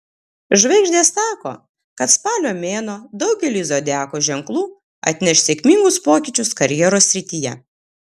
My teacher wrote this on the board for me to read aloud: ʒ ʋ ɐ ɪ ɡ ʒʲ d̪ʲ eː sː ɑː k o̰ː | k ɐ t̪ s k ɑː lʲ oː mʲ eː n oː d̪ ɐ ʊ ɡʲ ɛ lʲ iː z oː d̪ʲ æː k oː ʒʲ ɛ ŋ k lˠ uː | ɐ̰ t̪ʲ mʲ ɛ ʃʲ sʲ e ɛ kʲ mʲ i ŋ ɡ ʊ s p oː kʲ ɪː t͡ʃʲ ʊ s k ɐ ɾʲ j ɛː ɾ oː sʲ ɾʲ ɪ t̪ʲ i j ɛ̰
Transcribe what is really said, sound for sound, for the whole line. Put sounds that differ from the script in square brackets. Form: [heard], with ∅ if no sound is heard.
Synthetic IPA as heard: ʒ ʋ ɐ ɪ ɡ ʒʲ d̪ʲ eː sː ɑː k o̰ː | k ɐ t̪ s [p] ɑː lʲ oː mʲ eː n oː d̪ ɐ ʊ ɡʲ ɛ lʲ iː z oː d̪ʲ æː k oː ʒʲ ɛ ŋ k lˠ uː | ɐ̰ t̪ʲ [nʲ] ɛ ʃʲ sʲ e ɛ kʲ mʲ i ŋ ɡ ʊ s p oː kʲ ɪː t͡ʃʲ ʊ s k ɐ ɾʲ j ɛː ɾ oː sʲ ɾʲ ɪ t̪ʲ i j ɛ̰